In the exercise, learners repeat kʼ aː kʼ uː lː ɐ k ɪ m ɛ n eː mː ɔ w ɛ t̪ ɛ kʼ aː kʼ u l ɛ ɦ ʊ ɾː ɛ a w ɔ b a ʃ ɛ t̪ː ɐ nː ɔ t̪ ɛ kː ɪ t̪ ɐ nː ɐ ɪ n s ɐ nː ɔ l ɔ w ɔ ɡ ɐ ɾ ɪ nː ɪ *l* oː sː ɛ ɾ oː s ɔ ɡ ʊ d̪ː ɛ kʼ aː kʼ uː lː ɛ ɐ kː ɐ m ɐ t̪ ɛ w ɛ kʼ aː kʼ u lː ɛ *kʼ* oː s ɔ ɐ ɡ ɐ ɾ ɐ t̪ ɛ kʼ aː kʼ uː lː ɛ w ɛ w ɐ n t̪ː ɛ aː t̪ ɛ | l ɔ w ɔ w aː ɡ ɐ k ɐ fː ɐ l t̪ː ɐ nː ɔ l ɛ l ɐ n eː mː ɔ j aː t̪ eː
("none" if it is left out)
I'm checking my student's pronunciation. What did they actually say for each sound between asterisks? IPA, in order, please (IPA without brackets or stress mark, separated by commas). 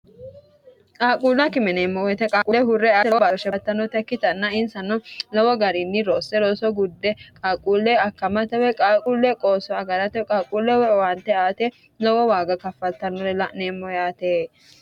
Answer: ɾ, kʼ